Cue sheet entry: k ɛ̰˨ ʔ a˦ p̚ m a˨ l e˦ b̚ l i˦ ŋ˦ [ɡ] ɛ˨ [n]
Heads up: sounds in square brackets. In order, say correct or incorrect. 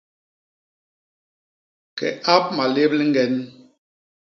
correct, correct

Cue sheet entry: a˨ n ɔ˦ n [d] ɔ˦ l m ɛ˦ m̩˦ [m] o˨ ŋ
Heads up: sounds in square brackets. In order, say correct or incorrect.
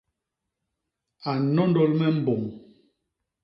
correct, incorrect: b

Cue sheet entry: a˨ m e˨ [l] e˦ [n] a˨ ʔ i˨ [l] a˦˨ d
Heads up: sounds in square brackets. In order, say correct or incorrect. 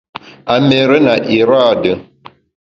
incorrect: ɾ, correct, incorrect: ɾ

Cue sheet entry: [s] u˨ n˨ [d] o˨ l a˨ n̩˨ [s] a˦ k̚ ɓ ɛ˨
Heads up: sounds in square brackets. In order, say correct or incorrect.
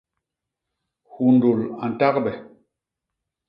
incorrect: h, correct, incorrect: t

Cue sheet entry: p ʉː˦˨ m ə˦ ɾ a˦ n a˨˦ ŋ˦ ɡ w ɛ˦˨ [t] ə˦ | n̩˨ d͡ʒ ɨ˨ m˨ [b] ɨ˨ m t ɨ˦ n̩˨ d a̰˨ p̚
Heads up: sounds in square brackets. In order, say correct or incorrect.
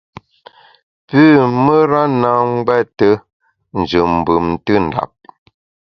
correct, correct

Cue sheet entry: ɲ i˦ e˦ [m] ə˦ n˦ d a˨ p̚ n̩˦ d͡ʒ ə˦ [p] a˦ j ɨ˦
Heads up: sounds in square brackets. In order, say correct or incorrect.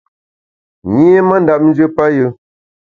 correct, correct

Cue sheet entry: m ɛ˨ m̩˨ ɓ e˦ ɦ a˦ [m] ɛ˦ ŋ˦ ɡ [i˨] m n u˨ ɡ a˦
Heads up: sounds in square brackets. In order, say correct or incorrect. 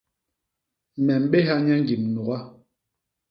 incorrect: ɲ, correct

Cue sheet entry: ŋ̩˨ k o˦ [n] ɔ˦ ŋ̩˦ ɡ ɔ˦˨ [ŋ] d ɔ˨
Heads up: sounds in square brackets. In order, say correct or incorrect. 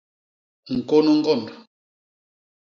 correct, incorrect: n

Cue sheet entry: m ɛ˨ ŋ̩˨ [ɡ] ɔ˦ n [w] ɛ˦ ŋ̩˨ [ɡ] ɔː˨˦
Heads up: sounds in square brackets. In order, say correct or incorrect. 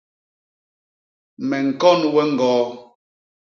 incorrect: k, correct, correct

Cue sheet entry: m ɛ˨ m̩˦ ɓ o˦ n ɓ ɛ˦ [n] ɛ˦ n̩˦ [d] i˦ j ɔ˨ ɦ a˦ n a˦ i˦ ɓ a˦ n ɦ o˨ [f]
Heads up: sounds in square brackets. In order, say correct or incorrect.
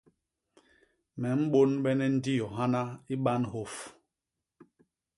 correct, correct, correct

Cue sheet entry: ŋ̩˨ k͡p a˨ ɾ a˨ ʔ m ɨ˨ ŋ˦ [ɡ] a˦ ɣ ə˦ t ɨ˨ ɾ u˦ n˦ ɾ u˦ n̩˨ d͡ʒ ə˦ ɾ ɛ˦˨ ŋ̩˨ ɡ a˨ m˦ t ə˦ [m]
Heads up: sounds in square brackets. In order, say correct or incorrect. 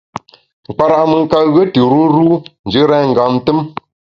incorrect: k, correct

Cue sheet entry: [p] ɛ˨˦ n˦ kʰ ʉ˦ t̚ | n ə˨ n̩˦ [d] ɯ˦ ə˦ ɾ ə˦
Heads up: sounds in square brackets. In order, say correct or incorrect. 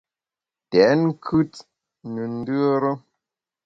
incorrect: t, correct

